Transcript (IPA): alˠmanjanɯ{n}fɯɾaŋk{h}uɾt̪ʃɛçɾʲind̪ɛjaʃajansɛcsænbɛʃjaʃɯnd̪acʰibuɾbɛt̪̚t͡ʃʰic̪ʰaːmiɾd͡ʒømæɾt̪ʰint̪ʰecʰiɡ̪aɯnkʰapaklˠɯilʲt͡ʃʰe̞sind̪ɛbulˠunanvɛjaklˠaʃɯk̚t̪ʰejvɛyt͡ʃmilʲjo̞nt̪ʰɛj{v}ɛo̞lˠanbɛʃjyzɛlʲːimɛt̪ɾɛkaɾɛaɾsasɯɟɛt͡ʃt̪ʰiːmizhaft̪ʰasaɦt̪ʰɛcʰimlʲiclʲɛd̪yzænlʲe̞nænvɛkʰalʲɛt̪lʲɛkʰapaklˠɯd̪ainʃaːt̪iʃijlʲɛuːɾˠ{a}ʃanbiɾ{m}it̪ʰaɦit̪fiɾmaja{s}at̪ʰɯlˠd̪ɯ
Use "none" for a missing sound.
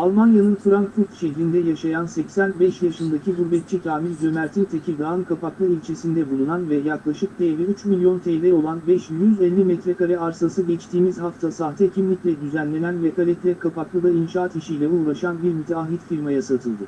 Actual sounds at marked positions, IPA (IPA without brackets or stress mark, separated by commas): n, f, v, a, m, s